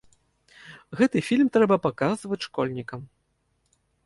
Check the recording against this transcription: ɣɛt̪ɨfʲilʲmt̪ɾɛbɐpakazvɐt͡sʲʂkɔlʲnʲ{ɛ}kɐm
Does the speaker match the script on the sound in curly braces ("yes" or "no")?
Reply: no